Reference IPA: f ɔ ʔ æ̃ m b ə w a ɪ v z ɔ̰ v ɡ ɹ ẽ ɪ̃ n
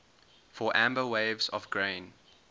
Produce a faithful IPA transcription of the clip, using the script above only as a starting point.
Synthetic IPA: f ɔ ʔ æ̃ m b ə w e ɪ v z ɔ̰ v ɡ ɹ ẽ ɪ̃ n